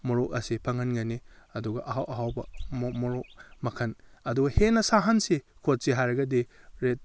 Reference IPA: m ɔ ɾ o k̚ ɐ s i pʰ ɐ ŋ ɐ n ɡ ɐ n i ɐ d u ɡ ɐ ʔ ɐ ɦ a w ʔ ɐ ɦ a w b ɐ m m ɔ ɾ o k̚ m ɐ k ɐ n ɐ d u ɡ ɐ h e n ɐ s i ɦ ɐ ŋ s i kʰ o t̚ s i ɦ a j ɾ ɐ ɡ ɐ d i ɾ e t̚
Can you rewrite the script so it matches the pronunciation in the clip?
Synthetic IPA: m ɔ ɾ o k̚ ɐ s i pʰ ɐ ŋ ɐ n ɡ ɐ n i ɐ d u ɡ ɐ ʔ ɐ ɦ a w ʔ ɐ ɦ a w b ɐ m m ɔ ɾ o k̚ m ɐ kʰ ɐ n ɐ d u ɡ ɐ h e n ɐ s a ɦ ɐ n s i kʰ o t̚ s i ɦ a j ɾ ɐ ɡ ɐ d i ɾ e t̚